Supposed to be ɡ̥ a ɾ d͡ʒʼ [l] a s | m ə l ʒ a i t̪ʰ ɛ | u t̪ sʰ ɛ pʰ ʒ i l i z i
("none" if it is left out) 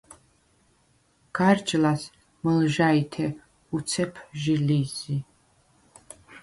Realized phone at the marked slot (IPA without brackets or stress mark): l